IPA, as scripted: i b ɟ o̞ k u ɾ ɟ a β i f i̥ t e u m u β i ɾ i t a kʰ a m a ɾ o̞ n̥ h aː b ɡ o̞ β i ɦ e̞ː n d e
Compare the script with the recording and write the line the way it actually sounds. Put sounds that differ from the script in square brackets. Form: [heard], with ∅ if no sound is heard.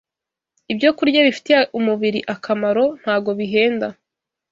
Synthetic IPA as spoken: i b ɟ o̞ k u ɾ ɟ a β i f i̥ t e u m u β i ɾ i [ʔ] a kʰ a m a ɾ o̞ n̥ h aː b ɡ o̞ β i ɦ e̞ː n d [a]